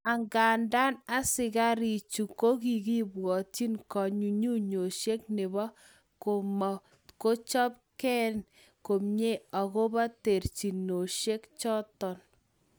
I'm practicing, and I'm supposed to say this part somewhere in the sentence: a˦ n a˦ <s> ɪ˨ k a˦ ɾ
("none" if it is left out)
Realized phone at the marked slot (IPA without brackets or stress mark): s